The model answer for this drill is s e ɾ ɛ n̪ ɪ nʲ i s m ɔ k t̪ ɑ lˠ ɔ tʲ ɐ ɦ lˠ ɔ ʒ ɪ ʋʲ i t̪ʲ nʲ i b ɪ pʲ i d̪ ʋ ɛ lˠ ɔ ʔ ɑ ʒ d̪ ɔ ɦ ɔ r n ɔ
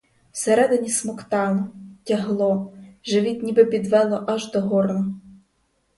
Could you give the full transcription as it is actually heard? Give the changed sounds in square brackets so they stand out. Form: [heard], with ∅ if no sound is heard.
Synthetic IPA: s e ɾ ɛ [d̪] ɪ nʲ i s m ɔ k t̪ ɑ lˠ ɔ tʲ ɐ ɦ lˠ ɔ ʒ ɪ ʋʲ i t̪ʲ nʲ i b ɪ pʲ i d̪ ʋ ɛ lˠ ɔ ʔ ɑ ʒ d̪ ɔ ɦ ɔ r n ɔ